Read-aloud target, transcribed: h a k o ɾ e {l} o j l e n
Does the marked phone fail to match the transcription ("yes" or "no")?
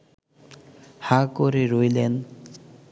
yes